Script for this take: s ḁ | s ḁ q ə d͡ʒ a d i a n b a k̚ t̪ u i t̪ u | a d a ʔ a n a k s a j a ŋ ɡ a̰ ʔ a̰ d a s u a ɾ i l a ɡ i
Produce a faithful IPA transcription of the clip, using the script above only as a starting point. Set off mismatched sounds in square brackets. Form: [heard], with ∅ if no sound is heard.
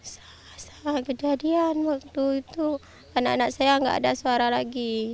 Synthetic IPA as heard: s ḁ | s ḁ [k] ə d͡ʒ a d i a n [w] a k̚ t̪ u i t̪ u | a [n] a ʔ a n a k s a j a ŋ ɡ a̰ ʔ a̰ d a s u a ɾ [a] l a ɡ i